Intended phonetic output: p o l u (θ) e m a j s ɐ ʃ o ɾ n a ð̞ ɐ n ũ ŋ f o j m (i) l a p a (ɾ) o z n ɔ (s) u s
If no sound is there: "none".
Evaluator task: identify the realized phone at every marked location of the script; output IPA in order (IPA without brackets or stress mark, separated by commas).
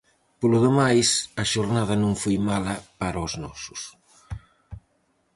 ð, a, ɾ, s